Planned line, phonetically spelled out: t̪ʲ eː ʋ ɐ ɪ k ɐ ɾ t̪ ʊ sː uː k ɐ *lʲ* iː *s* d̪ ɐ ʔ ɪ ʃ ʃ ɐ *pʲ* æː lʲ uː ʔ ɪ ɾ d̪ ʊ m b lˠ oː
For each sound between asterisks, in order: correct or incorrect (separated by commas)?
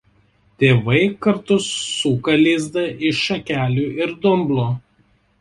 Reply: correct, incorrect, incorrect